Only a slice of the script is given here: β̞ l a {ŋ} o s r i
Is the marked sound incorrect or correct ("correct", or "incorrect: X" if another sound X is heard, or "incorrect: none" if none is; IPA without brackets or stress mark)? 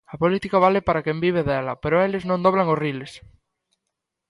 correct